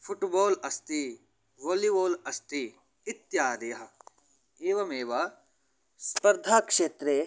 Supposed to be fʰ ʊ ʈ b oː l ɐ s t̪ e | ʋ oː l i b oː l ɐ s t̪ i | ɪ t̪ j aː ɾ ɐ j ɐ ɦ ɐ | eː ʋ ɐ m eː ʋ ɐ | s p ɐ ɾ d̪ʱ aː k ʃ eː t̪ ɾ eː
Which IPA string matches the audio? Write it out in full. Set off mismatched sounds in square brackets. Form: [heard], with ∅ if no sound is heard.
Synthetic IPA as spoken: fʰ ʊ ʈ b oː l ɐ s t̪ [i] | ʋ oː l i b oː l ɐ s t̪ i | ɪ t̪ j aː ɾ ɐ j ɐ ɦ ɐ | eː ʋ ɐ m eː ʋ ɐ | s p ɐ ɾ d̪ʱ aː k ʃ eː t̪ ɾ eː